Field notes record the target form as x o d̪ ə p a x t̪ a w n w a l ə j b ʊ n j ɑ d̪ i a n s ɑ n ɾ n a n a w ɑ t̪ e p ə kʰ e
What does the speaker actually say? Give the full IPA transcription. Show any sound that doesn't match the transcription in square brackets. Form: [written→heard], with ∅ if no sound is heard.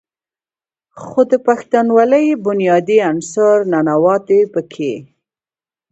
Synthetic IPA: x o d̪ ə p a x t̪ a [w→∅] n w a l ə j b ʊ n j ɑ d̪ i a n s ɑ [n→∅] ɾ n a n a w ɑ t̪ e p ə kʰ e